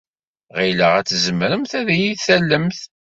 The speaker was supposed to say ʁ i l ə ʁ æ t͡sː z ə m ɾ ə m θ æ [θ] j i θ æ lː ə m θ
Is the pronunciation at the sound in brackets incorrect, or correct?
incorrect